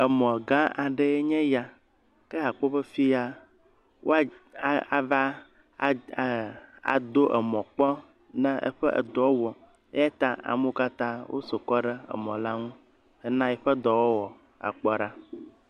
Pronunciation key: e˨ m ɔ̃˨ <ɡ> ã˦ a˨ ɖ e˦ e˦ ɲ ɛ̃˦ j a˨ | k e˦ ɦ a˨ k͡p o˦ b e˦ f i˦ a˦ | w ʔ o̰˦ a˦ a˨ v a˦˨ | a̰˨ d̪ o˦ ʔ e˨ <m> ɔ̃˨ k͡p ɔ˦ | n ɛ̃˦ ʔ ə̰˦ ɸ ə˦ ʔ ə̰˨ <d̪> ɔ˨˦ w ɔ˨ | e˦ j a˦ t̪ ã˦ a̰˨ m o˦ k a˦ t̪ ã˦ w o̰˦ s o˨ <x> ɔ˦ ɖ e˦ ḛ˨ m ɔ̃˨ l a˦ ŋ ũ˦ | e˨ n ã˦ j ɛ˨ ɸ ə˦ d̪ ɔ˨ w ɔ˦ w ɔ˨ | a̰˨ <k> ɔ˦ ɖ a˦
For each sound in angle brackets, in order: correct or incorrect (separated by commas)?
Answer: correct, correct, correct, incorrect, incorrect